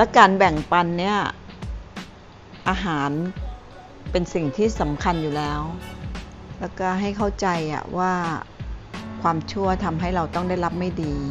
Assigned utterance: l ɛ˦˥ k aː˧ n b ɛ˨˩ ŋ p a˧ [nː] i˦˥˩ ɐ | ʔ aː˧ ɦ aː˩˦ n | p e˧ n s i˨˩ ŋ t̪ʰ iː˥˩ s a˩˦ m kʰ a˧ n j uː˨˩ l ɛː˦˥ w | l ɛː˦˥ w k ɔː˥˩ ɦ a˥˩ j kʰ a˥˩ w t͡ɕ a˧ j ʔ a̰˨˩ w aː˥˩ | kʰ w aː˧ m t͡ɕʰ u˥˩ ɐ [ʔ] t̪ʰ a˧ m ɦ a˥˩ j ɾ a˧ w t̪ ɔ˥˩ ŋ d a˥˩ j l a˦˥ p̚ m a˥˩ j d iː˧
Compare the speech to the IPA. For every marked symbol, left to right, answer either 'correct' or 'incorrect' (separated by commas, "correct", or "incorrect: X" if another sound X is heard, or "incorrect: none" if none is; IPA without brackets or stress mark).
correct, incorrect: none